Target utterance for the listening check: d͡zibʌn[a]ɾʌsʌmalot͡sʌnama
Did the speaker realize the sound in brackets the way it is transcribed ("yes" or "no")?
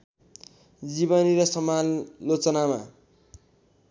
no